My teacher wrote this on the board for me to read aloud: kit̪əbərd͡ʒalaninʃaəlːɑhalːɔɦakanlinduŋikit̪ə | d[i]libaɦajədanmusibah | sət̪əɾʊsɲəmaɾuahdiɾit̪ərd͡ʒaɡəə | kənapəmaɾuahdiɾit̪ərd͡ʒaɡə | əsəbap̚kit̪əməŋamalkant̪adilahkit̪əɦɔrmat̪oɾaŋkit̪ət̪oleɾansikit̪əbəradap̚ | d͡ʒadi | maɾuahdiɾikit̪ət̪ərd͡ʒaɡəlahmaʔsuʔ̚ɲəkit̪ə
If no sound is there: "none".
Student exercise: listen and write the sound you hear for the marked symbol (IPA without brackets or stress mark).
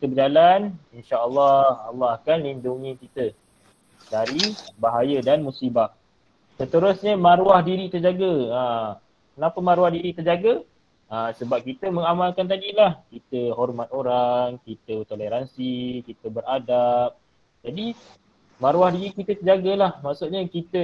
a